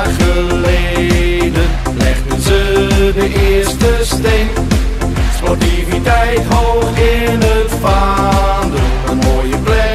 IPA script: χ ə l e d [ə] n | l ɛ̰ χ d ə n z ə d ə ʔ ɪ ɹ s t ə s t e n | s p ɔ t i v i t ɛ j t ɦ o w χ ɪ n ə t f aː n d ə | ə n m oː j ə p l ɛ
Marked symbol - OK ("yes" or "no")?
yes